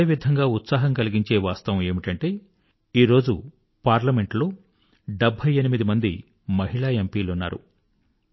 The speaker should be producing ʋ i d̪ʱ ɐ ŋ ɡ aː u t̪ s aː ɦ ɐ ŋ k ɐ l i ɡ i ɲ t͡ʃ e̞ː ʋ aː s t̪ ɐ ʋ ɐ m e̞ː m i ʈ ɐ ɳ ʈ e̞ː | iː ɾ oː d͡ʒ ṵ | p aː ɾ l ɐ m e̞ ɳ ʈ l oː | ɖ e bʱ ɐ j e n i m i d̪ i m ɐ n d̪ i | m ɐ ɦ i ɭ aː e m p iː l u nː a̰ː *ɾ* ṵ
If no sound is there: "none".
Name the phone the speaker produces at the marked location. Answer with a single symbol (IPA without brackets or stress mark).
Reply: ɾ